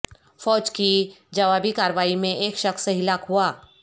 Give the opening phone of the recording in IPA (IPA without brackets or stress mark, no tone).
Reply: f